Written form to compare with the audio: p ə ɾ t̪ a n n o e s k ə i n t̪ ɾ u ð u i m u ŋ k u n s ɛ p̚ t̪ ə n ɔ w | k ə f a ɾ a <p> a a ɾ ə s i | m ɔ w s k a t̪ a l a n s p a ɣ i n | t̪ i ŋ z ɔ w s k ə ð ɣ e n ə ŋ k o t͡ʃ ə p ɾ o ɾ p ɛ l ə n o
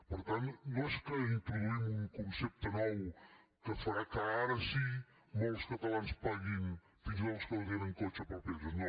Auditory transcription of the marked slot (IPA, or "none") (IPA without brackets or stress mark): k